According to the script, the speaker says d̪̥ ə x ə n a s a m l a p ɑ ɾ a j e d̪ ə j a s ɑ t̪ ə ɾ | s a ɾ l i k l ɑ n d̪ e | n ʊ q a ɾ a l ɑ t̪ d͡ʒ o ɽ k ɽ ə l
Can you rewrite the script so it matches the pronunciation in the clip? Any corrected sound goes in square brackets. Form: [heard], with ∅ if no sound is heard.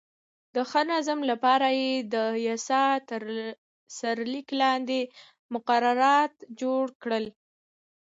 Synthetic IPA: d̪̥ ə x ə n a [z] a m l a p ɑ ɾ a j e d̪ ə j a s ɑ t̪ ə ɾ | s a ɾ l i k l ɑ n d̪ e | [m] ʊ q a ɾ a [ɾ] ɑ t̪ d͡ʒ o ɽ k ɽ ə l